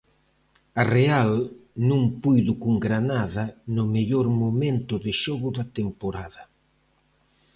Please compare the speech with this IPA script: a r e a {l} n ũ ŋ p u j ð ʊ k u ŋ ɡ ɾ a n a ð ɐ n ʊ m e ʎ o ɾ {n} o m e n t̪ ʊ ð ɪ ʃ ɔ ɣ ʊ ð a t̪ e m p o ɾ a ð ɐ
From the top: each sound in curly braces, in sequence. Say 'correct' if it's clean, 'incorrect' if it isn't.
correct, incorrect: m

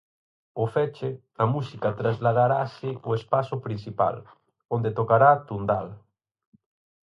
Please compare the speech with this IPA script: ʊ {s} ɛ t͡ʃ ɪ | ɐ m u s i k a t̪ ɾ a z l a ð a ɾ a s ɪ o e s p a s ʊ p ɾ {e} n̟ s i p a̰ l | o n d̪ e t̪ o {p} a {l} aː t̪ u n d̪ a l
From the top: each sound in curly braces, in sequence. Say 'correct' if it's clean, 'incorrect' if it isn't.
incorrect: f, incorrect: i, incorrect: k, incorrect: ɾ

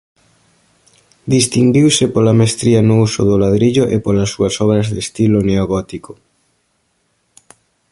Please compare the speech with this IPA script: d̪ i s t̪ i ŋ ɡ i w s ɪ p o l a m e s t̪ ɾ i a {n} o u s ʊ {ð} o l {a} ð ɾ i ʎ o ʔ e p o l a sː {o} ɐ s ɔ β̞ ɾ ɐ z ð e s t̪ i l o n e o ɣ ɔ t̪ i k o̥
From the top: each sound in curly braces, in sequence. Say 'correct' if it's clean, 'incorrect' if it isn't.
correct, correct, correct, incorrect: u

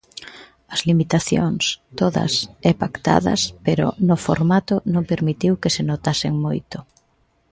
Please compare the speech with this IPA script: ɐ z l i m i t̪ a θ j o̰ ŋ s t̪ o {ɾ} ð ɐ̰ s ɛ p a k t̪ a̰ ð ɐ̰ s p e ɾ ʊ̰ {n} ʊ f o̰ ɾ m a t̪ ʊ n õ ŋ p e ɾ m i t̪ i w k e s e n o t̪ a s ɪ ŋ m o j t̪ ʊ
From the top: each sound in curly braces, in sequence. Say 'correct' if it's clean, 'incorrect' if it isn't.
incorrect: none, correct

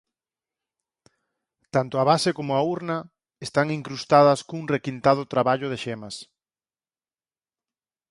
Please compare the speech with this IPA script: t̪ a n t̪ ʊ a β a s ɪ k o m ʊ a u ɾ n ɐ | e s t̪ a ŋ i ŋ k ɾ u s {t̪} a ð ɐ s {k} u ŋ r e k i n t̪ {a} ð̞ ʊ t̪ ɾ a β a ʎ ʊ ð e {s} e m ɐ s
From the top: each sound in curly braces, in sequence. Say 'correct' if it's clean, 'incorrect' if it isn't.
correct, correct, correct, incorrect: ʃ

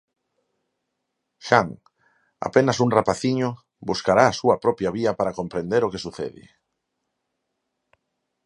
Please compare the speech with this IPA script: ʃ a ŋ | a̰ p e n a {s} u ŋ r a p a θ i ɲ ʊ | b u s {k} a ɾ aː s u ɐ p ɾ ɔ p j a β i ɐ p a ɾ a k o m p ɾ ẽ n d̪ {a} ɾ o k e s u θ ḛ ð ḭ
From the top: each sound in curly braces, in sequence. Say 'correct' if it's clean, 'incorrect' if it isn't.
correct, correct, incorrect: e

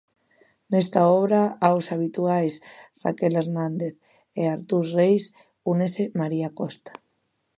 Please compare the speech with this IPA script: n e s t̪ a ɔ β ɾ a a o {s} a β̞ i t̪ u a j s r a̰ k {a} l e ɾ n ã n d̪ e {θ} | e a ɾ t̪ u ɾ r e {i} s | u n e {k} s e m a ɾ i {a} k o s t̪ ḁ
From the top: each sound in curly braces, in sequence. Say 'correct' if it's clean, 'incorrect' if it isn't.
correct, incorrect: e, correct, incorrect: j, incorrect: none, correct

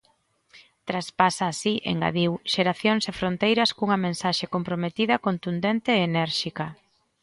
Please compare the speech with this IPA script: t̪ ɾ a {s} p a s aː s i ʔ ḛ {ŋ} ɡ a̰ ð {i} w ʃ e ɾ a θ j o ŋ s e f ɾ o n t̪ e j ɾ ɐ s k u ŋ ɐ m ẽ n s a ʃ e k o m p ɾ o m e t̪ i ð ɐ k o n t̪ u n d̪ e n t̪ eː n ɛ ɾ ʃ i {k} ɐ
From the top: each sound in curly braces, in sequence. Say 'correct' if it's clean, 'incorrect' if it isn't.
correct, correct, correct, correct

